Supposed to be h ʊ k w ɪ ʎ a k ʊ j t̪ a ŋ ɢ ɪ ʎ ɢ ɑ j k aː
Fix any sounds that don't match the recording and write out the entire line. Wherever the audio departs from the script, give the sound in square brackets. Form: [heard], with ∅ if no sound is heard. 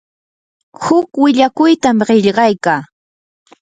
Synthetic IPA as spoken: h ʊ k w ɪ ʎ a k ʊ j t̪ a [m] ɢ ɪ ʎ ɢ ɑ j k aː